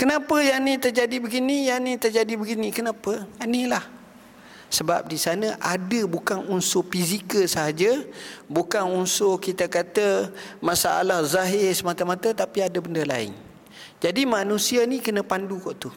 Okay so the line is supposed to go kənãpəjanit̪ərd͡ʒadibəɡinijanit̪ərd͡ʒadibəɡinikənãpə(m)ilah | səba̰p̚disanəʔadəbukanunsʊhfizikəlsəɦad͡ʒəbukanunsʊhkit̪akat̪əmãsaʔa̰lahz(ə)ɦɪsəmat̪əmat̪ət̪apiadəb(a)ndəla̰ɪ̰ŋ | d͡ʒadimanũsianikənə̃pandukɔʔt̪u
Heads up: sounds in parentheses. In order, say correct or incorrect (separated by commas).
incorrect, incorrect, incorrect